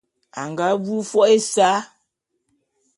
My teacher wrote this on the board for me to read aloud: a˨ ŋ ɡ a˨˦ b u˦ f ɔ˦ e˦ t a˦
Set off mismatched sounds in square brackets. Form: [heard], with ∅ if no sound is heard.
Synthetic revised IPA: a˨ ŋ ɡ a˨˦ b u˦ f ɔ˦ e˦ [s] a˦